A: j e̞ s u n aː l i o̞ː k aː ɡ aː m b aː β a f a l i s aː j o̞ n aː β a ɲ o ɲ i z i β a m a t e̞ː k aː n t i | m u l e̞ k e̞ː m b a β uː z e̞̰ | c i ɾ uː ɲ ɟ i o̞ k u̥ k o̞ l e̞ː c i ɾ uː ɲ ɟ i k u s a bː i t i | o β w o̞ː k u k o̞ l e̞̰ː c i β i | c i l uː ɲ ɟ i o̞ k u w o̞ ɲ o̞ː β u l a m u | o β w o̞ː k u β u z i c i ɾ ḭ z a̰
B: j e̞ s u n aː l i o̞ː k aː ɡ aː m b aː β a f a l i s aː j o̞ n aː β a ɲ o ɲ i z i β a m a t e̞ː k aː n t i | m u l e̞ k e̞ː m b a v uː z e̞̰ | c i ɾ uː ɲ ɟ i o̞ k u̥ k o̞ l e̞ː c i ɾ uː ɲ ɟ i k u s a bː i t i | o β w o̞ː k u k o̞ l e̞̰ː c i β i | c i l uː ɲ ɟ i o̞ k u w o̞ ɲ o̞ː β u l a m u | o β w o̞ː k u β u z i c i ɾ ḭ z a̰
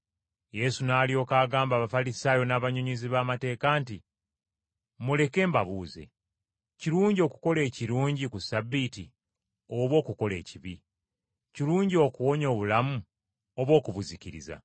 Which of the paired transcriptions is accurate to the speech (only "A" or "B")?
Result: A